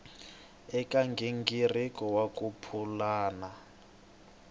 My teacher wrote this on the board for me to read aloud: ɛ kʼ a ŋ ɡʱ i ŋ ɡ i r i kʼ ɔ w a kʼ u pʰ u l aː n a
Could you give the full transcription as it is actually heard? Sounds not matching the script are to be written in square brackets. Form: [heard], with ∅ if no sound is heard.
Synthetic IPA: ɛ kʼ a ŋ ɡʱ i ŋ ɡ i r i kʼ ɔ w a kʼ u pʰ u l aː n a